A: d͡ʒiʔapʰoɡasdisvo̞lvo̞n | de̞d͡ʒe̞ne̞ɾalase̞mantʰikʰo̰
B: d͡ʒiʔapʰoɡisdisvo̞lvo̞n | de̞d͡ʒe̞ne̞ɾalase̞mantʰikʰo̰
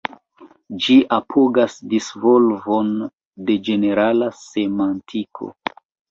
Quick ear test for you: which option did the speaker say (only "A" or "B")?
A